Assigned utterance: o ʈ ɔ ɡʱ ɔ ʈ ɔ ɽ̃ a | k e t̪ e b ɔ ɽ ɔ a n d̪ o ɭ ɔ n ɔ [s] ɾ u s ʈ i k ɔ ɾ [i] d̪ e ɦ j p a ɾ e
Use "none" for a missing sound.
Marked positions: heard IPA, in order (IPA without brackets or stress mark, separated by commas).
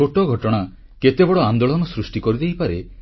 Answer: s, i